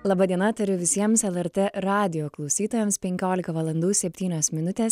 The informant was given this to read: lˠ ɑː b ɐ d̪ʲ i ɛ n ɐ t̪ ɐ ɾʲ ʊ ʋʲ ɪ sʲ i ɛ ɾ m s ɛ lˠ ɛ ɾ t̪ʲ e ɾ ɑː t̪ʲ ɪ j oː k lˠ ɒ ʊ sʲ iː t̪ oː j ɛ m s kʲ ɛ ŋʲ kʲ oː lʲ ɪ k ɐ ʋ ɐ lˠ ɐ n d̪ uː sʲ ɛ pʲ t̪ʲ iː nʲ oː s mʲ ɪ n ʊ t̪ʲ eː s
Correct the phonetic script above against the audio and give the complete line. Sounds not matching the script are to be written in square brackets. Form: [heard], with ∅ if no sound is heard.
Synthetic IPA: lˠ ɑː b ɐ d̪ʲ i ɛ n ɐ t̪ ɐ ɾʲ ʊ ʋʲ ɪ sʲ i ɛ [∅] m s ɛ lˠ ɛ ɾ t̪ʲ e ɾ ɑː [d̪ʲ] ɪ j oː k lˠ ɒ ʊ sʲ iː t̪ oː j ɛ m s [pʲ] ɛ ŋʲ kʲ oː lʲ ɪ k ɐ ʋ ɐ lˠ ɐ n d̪ uː sʲ ɛ pʲ t̪ʲ iː nʲ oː s mʲ ɪ n ʊ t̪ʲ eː s